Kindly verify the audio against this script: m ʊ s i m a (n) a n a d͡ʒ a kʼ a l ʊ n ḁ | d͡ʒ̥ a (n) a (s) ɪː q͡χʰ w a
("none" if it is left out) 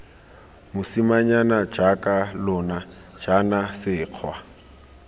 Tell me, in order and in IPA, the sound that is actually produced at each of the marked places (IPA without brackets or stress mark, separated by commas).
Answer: ɲ, n, s